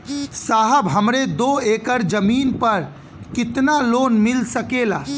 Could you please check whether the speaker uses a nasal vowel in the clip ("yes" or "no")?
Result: no